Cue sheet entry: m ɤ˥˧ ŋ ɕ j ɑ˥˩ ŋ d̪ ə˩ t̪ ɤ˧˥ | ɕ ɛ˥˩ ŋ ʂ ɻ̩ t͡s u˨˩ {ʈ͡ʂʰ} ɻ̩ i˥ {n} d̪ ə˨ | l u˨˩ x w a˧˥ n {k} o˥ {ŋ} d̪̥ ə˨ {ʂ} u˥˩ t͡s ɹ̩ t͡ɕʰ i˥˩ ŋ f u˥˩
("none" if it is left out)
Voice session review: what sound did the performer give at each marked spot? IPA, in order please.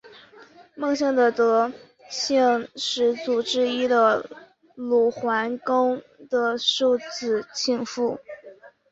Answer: ʈ͡ʂ, none, k, ŋ, ʂ

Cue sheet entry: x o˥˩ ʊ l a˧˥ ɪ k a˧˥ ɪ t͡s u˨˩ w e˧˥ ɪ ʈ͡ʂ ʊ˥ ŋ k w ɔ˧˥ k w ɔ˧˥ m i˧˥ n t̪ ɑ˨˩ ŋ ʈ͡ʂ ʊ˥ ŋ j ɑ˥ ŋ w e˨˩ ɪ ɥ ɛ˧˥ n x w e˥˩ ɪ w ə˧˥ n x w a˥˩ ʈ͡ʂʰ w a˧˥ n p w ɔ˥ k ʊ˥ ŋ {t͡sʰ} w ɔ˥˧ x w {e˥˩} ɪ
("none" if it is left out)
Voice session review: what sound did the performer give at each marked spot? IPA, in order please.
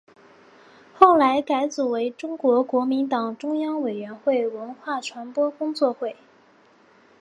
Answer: t͡s, e˥˩

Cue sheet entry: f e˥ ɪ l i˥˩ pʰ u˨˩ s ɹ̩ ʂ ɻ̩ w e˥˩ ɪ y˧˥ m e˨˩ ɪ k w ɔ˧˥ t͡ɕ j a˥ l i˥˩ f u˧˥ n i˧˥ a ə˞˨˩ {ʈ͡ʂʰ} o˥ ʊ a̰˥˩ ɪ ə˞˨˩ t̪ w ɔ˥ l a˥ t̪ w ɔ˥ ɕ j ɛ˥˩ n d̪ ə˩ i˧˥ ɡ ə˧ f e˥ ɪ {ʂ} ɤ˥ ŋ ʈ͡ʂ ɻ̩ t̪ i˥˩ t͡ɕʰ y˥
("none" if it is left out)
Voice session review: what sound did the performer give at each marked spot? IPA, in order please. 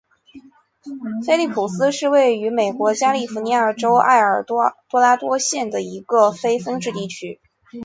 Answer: ʈ͡ʂ, f

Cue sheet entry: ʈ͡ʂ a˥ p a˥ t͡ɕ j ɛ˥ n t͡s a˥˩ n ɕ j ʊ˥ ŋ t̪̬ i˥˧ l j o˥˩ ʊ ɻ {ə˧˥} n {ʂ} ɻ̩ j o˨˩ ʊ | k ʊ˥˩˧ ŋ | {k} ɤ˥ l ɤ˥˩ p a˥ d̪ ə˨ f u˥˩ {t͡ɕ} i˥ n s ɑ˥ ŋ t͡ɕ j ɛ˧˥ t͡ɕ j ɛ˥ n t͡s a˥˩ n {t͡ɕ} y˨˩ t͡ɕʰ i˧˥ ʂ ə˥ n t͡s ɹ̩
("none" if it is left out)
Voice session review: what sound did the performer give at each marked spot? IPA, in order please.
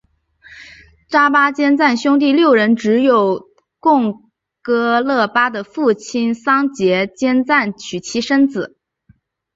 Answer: ə˧˥, ʈ͡ʂ, k, t͡ɕʰ, t͡ɕʰ

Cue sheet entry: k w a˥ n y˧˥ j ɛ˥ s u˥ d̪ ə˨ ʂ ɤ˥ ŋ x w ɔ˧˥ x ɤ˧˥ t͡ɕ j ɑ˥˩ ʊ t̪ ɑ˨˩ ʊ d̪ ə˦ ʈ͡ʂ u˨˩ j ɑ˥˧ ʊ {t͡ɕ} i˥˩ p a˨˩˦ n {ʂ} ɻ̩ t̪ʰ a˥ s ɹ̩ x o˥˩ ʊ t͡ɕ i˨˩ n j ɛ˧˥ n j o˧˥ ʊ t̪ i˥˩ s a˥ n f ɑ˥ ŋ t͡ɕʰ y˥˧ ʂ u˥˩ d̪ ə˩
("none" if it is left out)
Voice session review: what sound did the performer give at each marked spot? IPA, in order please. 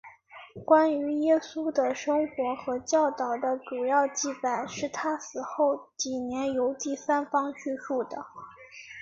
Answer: t͡ɕ, ʂ

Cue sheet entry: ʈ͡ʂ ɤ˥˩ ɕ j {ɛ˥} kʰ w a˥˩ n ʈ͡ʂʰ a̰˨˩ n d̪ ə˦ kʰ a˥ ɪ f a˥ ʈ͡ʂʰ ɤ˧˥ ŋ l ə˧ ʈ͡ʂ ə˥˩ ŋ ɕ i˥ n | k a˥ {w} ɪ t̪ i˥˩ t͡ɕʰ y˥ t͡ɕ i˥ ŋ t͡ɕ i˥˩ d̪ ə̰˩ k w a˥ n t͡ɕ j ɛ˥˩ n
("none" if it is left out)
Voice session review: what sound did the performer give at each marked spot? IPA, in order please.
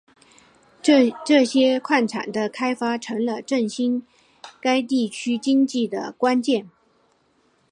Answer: ɛ˥, none

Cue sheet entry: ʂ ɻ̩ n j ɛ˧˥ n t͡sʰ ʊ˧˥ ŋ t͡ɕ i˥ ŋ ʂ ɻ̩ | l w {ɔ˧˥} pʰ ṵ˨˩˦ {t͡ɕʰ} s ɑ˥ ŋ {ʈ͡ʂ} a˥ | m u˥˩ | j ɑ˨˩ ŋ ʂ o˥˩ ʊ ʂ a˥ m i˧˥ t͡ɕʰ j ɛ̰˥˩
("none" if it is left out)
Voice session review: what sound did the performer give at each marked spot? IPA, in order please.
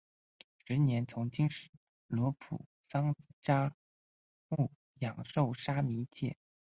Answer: ɔ˧˥, none, ʈ͡ʂ

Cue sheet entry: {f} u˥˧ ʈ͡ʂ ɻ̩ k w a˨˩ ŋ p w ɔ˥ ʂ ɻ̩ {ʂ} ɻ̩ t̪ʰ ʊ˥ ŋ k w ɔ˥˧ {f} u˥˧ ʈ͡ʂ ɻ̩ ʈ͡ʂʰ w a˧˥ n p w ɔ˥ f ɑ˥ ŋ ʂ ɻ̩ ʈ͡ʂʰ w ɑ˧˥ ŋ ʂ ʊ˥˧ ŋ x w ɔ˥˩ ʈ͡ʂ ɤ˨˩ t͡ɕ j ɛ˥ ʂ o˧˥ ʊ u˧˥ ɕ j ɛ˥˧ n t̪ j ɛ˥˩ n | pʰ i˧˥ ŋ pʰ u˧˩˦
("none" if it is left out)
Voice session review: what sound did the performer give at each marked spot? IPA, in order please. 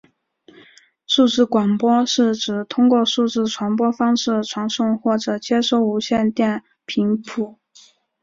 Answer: ʂ, ʈ͡ʂ, ʂ

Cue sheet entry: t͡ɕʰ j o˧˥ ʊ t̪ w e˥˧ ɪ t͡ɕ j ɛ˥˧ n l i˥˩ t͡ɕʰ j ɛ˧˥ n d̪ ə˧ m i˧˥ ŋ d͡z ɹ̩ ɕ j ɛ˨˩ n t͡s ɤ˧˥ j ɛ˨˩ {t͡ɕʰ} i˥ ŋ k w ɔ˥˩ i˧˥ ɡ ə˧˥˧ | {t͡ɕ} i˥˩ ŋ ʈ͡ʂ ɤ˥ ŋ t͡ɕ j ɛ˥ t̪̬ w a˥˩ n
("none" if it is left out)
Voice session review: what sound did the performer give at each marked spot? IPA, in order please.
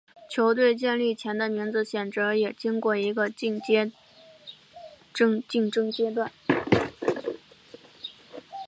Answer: t͡ɕ, t͡ɕ

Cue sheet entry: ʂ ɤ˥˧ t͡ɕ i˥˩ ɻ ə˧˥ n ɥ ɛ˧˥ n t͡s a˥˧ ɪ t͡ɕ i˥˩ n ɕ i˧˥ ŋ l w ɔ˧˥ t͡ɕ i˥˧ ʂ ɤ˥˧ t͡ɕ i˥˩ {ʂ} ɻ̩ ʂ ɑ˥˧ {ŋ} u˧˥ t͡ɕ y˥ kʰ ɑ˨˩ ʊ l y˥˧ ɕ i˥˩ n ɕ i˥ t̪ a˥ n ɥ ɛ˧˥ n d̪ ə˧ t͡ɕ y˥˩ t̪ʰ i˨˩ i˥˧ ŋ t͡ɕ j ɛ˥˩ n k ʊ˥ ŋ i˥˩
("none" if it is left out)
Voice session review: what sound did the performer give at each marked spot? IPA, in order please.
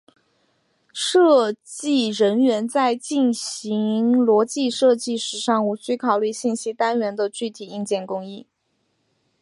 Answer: ʂ, ŋ

